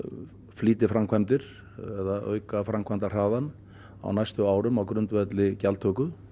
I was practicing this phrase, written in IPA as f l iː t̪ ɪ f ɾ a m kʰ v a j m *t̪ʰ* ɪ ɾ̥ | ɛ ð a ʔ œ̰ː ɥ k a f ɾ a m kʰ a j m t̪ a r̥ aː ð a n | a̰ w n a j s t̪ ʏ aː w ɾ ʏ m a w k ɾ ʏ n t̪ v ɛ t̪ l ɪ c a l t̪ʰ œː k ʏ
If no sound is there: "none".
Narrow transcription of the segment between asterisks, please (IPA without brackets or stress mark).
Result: t̪